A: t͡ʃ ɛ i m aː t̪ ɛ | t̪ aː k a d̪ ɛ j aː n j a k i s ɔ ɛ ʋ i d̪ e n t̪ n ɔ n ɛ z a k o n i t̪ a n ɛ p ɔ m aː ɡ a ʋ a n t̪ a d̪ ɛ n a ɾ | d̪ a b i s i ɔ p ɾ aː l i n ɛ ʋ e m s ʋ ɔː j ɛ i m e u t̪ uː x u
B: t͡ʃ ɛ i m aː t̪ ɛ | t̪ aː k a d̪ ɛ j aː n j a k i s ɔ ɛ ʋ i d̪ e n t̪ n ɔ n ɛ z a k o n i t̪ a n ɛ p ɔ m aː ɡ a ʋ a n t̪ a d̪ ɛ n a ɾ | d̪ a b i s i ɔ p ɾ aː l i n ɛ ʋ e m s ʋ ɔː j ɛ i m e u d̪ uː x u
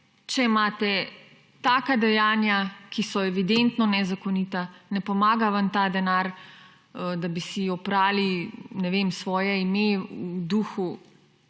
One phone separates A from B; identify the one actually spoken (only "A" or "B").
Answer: B